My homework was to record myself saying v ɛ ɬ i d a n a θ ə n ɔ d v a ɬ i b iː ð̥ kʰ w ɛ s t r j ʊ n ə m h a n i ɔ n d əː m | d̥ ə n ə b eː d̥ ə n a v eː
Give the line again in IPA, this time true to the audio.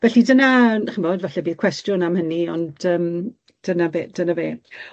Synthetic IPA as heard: v ɛ ɬ i d ə n a χ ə m ɔ d v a ɬ ɛ b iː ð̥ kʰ w ɛ s t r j ʊ n a m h ə n i ɔ n d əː m | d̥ ə n a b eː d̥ ə n a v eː